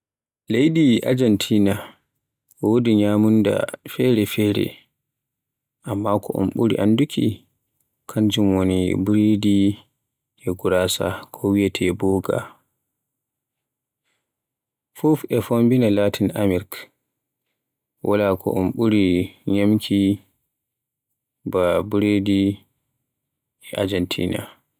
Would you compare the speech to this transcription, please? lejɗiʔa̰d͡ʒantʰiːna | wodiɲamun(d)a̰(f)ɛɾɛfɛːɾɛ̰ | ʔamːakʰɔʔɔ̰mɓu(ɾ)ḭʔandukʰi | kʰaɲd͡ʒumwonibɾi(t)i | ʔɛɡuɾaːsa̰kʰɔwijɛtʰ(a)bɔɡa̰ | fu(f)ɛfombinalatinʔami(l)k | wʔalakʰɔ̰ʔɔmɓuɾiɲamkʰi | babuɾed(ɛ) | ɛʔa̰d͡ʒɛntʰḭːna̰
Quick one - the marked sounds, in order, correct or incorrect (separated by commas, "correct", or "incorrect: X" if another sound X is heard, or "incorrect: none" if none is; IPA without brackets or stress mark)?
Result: correct, correct, correct, incorrect: d, incorrect: ɛ, correct, incorrect: ɾ, incorrect: i